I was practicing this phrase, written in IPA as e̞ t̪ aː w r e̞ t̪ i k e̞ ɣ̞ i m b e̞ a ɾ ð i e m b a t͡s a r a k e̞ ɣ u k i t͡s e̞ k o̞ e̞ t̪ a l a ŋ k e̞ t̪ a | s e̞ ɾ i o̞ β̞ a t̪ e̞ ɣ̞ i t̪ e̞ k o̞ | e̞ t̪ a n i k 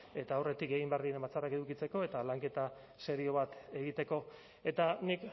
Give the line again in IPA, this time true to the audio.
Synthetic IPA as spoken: e̞ t̪ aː w r e̞ t̪ i k e̞ ɣ̞ i m b e̞ a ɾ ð i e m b a t͡s a r a k e̞ ð u k i t͡s e̞ k o̞ e̞ t̪ a l a ŋ k e̞ t̪ a | s e̞ ɾ i o̞ β̞ a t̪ e̞ ɣ̞ i t̪ e̞ k o̞ | e̞ t̪ a n i k